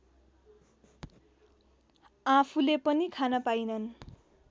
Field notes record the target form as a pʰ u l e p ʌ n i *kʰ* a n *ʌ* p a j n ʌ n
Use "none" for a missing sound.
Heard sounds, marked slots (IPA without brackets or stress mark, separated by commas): kʰ, ʌ